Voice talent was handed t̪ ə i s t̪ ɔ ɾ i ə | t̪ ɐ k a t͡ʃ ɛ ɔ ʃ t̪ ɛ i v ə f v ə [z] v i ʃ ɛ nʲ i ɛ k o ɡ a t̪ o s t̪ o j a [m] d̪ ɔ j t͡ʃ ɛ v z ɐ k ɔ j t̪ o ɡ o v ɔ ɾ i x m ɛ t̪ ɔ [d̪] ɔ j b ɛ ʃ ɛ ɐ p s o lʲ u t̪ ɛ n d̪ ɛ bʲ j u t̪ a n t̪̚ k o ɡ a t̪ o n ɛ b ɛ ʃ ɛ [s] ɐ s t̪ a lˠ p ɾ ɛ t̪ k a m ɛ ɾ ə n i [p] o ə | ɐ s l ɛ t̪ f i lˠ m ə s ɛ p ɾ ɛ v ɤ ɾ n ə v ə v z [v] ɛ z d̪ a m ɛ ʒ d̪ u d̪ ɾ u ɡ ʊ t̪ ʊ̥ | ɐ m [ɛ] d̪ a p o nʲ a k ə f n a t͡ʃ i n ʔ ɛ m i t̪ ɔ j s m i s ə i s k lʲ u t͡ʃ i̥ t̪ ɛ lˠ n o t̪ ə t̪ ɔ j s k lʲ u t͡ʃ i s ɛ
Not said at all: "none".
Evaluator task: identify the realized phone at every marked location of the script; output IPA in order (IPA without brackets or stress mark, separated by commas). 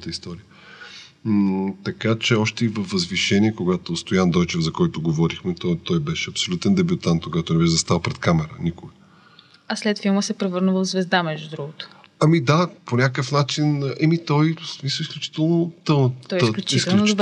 z, n, t̪, z, k, v, i